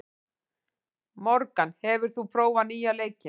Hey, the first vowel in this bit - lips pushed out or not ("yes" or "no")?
yes